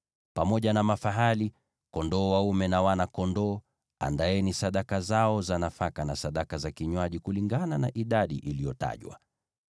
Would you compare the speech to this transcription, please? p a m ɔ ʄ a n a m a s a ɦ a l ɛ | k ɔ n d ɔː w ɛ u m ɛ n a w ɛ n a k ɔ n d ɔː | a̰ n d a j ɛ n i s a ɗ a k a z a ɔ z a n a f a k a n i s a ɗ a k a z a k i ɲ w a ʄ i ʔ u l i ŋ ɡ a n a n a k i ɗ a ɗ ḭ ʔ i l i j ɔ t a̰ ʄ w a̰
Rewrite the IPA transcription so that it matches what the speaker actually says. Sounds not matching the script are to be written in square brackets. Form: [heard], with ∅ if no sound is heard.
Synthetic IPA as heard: p a m ɔ ʄ a n a m a [f] a ɦ a l [i] | k ɔ n d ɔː w [a] u m ɛ n a w [a] n a k ɔ n d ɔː | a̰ n d a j ɛ n i s a ɗ a k a z a ɔ z a n a f a k a n [a] s a ɗ a k a z a k i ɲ w a ʄ i [k] u l i ŋ ɡ a n a n a [ʔ] i ɗ a ɗ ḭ ʔ i l i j ɔ t a̰ ʄ w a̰